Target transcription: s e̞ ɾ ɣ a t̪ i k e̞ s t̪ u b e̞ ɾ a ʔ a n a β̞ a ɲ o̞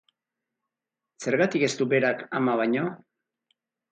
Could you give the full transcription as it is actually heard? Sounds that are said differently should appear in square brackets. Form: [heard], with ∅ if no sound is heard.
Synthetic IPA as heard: s e̞ ɾ ɣ a t̪ i k e̞ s t̪ u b e̞ ɾ a [k] a [m] a β̞ a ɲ o̞